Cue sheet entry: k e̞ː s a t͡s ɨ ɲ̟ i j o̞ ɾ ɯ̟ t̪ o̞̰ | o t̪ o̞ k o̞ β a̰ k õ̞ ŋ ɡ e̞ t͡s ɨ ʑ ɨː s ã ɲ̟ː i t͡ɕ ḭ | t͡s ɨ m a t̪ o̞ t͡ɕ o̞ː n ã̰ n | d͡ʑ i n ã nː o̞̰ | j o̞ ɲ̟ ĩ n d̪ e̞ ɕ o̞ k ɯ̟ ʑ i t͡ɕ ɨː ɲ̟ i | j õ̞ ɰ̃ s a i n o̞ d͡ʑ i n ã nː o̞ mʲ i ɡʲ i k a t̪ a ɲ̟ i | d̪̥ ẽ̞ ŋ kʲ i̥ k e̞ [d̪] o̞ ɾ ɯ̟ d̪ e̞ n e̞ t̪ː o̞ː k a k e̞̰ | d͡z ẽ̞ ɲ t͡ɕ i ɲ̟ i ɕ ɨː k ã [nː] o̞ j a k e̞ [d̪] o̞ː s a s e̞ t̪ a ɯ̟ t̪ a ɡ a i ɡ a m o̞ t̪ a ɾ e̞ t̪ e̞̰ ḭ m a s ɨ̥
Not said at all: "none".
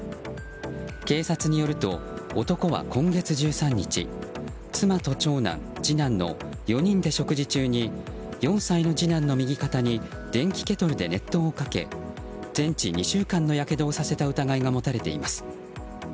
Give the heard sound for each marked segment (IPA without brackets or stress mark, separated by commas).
t̪, nː, d̪